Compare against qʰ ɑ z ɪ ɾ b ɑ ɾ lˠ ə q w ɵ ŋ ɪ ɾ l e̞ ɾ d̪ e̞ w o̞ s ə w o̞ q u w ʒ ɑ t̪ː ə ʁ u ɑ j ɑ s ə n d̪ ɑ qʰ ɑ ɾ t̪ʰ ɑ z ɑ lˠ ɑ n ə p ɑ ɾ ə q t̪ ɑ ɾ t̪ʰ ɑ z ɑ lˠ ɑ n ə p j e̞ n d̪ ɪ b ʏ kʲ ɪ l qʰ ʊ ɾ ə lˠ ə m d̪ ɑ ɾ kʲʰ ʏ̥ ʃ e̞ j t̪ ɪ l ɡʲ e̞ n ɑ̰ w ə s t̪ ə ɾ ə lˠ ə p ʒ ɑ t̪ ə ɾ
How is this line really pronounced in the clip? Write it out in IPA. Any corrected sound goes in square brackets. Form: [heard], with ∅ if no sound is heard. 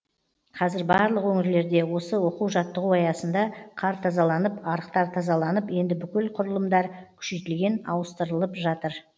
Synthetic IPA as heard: qʰ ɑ z ɪ ɾ b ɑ ɾ lˠ ə q w ɵ ŋ ɪ ɾ l e̞ ɾ d̪ e̞ w o̞ s ə w o̞ q u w ʒ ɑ t̪ː ə ʁ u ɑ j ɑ s ə n d̪ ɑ qʰ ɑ ɾ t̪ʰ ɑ z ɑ lˠ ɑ n ə p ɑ ɾ ə q t̪ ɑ ɾ t̪ʰ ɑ z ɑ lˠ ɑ n ə p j e̞ n d̪ ɪ b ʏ kʲ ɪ l qʰ ʊ ɾ ə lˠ ə m d̪ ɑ ɾ kʲʰ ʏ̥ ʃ e̞ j t̪ ɪ l ɡʲ e̞ n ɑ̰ w ə s t̪ ə ɾ ə lˠ ə p ʒ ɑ t̪ ə ɾ

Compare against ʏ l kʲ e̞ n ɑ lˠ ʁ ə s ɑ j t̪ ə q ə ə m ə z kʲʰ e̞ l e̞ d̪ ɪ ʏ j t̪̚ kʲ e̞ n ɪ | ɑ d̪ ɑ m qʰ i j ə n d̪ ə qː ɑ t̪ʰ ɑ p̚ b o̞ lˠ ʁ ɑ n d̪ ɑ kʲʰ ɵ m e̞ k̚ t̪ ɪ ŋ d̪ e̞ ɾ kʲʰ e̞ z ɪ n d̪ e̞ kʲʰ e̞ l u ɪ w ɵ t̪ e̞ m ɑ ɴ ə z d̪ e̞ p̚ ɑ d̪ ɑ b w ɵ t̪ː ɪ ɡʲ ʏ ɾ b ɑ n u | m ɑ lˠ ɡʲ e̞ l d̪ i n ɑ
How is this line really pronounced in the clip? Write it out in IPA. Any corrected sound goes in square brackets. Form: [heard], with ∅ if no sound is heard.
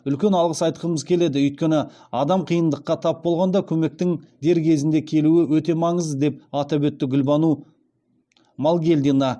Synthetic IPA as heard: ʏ l kʲ e̞ n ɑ lˠ ʁ ə s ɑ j t̪ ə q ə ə m ə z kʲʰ e̞ l e̞ d̪ ɪ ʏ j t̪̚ kʲ e̞ n ɪ | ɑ d̪ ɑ m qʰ i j ə n d̪ ə qː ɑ t̪ʰ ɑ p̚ b o̞ lˠ ʁ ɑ n d̪ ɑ kʲʰ ɵ m e̞ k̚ t̪ ɪ ŋ d̪ e̞ ɾ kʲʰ e̞ z ɪ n d̪ e̞ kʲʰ e̞ l u ɪ w ɵ t̪ e̞ m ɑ ɴ ə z d̪ e̞ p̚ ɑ [t̪] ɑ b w ɵ t̪ː ɪ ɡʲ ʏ [l] b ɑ n u | m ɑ lˠ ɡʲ e̞ l d̪ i n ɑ

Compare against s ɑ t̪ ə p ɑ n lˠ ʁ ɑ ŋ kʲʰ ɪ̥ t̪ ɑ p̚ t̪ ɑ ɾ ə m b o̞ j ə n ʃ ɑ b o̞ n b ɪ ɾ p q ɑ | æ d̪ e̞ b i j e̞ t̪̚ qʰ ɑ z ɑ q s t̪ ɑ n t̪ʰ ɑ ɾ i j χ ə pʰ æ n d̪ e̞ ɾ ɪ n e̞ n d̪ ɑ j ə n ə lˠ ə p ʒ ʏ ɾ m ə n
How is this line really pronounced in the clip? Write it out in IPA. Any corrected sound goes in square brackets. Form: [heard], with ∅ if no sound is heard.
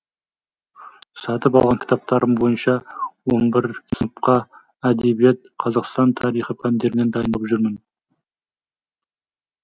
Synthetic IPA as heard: s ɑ t̪ ə p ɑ [∅] lˠ ʁ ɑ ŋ kʲʰ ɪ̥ t̪ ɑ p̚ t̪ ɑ ɾ ə m b o̞ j ə n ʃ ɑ [w] o̞ n b ɪ ɾ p q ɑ | æ d̪ e̞ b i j e̞ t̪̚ qʰ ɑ z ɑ q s t̪ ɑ n t̪ʰ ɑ ɾ i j χ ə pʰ æ n d̪ e̞ ɾ ɪ n e̞ n d̪ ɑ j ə n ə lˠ ə p ʒ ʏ ɾ m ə n

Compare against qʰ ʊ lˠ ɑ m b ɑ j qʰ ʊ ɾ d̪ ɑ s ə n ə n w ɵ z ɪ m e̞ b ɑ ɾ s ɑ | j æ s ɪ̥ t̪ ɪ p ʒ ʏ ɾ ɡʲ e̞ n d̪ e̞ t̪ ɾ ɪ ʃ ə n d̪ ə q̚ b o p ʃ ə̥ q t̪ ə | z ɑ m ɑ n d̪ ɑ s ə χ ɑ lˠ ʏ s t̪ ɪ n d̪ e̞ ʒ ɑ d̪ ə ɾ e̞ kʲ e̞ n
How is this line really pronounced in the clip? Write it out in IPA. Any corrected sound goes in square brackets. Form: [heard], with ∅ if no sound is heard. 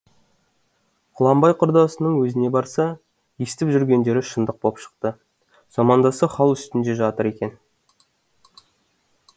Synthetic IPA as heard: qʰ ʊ lˠ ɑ m b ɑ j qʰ ʊ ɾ d̪ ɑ s ə n ə [ɴ] w ɵ z ɪ [n] e̞ b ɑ ɾ s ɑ | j [e] s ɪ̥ t̪ ɪ p ʒ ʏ ɾ ɡʲ e̞ n d̪ e̞ [∅] ɾ ɪ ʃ ə n d̪ ə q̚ b o p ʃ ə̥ q t̪ ə | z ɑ m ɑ n d̪ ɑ s ə χ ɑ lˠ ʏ s t̪ ɪ n d̪ e̞ ʒ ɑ [t̪] ə ɾ e̞ kʲ e̞ n

